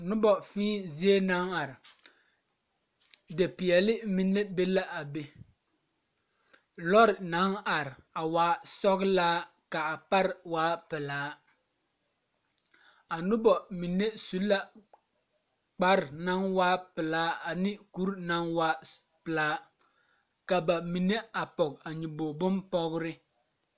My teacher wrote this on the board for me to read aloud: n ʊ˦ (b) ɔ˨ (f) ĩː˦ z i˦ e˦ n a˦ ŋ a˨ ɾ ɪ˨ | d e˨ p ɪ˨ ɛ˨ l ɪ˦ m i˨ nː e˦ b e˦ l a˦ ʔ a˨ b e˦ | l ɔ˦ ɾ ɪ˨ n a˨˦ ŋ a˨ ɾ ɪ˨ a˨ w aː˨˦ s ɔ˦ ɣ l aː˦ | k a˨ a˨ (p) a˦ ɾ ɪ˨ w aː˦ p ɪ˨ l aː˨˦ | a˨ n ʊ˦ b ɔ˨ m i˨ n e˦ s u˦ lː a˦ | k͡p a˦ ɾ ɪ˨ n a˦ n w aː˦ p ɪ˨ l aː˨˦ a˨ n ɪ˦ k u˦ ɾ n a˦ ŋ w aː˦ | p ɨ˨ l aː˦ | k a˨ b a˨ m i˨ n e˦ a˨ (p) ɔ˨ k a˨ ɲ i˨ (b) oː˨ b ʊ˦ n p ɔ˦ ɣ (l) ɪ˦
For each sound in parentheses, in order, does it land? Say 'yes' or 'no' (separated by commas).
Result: yes, yes, yes, yes, yes, no